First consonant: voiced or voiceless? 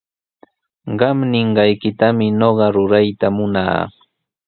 voiced